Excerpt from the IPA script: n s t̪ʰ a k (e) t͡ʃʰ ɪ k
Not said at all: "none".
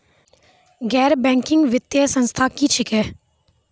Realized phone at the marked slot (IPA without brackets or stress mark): i